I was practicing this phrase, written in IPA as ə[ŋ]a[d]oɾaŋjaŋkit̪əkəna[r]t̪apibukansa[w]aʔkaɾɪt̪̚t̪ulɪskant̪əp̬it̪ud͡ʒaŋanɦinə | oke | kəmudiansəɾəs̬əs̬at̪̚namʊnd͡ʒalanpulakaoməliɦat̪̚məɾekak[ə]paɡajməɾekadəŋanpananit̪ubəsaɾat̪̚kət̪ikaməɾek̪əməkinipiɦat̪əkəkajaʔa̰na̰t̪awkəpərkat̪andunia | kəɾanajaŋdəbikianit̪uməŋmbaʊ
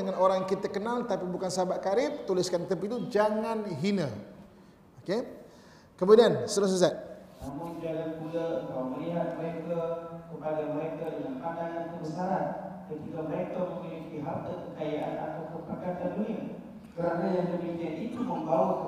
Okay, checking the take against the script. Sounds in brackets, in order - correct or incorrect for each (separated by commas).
correct, incorrect, incorrect, incorrect, correct